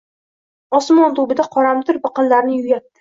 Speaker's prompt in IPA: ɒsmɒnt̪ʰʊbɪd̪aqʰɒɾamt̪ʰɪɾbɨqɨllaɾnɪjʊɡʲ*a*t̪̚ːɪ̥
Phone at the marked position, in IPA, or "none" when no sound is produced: a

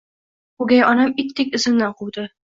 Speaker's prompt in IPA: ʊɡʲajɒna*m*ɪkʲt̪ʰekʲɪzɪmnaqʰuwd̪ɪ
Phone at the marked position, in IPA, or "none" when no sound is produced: m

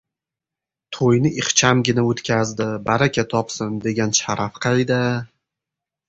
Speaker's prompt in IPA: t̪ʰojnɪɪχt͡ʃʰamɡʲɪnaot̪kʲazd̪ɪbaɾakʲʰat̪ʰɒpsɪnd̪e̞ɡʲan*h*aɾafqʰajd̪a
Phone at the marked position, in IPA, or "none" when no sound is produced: ʃ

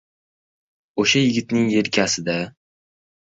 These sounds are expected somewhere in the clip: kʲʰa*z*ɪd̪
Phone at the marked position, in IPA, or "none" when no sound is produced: s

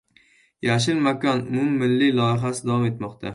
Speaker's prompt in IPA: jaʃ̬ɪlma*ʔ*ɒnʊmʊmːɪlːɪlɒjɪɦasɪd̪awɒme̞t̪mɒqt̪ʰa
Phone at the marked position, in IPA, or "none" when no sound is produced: k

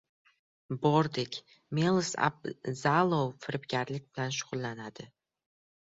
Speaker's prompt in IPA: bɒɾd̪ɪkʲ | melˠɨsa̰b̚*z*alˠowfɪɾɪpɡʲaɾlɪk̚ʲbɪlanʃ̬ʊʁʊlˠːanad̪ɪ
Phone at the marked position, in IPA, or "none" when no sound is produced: z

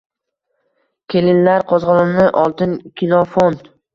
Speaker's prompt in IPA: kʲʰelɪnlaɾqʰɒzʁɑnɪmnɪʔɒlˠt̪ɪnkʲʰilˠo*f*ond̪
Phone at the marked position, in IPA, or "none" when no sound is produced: f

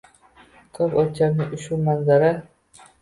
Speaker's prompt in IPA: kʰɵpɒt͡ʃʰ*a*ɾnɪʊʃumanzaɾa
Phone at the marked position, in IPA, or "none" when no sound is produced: a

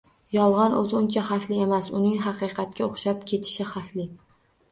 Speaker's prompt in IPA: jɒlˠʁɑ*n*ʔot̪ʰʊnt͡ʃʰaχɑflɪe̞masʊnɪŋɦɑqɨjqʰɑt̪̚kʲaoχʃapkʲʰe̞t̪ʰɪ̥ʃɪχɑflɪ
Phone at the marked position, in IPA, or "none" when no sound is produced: n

